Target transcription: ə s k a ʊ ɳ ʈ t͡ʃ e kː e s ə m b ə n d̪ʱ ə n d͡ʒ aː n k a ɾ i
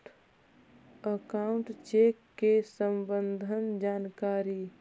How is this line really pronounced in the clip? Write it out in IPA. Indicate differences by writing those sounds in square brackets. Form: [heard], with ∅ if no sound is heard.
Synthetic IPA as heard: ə [∅] k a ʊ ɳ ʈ t͡ʃ e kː e s ə m b ə n d̪ʱ ə n d͡ʒ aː n k a ɾ i